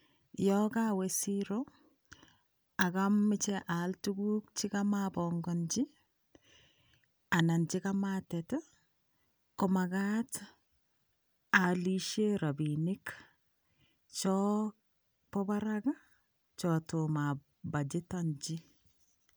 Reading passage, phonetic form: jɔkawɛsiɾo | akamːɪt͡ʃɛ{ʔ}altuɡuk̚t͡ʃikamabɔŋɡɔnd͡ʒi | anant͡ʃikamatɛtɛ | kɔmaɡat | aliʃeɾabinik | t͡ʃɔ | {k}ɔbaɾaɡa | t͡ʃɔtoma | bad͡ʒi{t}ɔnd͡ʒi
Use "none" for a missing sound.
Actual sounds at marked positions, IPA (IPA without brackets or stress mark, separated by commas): ʔ, p, t